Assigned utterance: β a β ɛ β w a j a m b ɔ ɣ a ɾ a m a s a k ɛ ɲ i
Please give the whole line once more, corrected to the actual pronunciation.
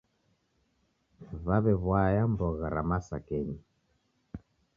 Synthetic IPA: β a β ɛ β w a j a m b ɔ ɣ a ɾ a m a s a k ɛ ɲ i